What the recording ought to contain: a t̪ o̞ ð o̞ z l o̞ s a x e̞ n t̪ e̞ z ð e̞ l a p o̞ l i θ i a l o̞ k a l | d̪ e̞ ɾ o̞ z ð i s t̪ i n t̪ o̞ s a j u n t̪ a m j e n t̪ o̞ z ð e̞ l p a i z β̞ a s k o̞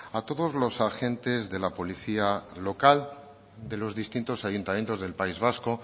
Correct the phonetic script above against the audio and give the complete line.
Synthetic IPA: a t̪ o̞ ð o̞ z l o̞ s a x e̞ n t̪ e̞ z ð e̞ l a p o̞ l i θ i a l o̞ k a l | d̪ e̞ l o̞ z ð i s t̪ i n t̪ o̞ s a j u n t̪ a m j e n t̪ o̞ z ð e̞ l p a i z β̞ a s k o̞